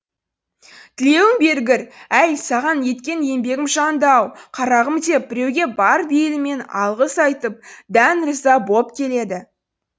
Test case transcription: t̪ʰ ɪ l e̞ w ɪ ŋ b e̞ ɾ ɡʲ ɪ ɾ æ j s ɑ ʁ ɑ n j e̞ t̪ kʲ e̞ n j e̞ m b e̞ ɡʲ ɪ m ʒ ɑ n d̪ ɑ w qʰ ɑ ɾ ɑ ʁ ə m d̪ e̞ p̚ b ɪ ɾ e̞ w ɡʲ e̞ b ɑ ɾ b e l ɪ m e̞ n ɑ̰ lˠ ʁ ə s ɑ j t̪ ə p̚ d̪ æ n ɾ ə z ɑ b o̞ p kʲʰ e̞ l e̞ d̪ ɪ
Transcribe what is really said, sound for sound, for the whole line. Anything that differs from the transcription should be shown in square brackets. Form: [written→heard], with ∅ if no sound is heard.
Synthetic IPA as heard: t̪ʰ ɪ l e̞ w ɪ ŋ b e̞ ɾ ɡʲ ɪ ɾ æ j s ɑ ʁ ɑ n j e̞ t̪ kʲ e̞ n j e̞ m b e̞ ɡʲ ɪ m ʒ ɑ n d̪ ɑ w qʰ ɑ ɾ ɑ ʁ ə m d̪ e̞ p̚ b ɪ ɾ e̞ w ɡʲ e̞ b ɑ ɾ b e l ɪ m e̞ n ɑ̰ lˠ ʁ ə s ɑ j t̪ ə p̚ d̪ æ n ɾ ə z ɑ b o̞ p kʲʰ e̞ l e̞ d̪ ɪ